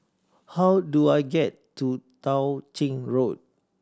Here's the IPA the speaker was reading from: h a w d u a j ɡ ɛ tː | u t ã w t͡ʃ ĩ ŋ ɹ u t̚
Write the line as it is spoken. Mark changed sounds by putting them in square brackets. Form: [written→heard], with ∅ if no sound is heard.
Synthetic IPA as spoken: h a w d u a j ɡ ɛ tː | u t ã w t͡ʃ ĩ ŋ ɹ [u→o] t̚

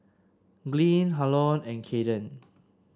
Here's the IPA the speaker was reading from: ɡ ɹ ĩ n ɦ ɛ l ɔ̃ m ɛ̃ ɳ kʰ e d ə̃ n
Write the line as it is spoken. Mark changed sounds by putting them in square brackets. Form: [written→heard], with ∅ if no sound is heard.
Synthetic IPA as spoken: ɡ [ɹ→l] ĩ n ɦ [ɛ→a] l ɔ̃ [m→n] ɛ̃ [ɳ→n] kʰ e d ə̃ n

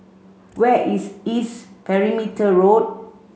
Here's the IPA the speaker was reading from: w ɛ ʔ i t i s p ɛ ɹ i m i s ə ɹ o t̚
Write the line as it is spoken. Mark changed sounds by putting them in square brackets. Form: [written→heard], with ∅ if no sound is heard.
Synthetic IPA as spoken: w ɛ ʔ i [t→s] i s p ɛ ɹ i m i [s→t] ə ɹ o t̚

